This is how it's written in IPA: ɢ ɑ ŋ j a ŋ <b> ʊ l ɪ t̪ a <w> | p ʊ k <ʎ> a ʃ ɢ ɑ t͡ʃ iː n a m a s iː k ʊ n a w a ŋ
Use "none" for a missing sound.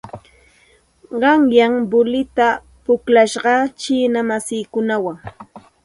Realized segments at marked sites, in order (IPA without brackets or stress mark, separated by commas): b, none, l